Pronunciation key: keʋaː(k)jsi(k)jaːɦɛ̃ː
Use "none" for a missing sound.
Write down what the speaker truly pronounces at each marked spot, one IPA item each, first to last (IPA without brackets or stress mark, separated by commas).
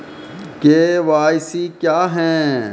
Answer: none, k